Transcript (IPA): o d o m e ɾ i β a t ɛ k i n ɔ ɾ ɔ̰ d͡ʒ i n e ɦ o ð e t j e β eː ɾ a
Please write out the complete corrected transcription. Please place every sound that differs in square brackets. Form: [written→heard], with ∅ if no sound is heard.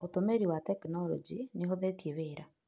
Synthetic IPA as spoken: o [d→t] o m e ɾ i [β→w] a t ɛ k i n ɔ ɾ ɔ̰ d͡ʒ i n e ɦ o ð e t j e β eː ɾ a